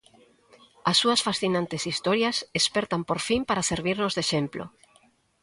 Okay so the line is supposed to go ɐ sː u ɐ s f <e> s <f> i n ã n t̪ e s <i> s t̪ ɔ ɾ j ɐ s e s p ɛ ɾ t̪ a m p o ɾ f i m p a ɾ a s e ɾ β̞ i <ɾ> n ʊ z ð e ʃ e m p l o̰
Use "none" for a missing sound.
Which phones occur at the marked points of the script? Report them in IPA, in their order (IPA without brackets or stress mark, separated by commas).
a, θ, i, ɾ